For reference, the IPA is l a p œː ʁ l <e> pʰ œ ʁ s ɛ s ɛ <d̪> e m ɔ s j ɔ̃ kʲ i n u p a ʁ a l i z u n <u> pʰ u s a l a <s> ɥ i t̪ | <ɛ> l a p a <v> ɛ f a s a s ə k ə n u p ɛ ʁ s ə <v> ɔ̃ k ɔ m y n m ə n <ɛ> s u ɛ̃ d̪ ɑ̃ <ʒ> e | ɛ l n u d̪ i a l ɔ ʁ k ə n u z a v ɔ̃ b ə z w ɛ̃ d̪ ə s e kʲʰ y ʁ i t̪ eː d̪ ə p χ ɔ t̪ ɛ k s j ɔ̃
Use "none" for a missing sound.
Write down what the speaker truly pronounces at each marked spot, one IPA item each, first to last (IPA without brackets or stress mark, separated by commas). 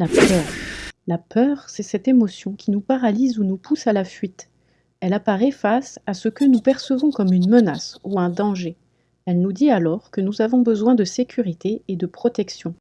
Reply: a, t̪, u, f, ɛ, ʁ, v, a, ʒ